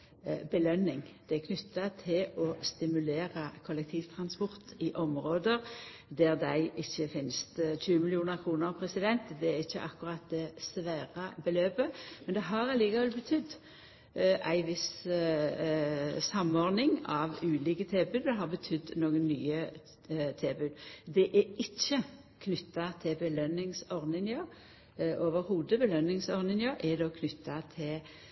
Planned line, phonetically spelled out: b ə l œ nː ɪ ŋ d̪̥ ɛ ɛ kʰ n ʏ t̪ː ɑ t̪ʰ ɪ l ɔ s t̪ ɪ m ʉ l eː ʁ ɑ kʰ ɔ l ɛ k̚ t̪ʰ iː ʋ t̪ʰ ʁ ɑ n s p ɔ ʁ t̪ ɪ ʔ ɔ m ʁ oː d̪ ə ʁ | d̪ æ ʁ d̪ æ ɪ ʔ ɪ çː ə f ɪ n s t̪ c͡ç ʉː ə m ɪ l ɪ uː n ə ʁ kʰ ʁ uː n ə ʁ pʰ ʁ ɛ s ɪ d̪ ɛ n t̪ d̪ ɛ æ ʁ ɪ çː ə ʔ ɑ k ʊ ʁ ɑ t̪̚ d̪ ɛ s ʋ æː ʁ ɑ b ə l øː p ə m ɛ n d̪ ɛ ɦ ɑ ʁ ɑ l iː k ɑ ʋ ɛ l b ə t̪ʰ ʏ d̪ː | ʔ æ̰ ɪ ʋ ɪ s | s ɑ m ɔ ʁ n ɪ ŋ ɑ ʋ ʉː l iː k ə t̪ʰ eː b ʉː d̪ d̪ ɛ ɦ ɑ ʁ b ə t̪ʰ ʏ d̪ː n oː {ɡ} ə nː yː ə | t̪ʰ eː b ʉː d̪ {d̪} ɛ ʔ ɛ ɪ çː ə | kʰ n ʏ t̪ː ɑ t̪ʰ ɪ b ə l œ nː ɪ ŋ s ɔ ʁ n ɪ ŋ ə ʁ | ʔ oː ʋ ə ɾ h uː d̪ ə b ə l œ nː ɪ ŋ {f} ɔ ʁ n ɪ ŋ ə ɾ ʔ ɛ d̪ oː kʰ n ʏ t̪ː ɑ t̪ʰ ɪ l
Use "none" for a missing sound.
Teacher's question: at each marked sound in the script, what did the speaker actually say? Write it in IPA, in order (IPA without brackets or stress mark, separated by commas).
ɡ, d̪, s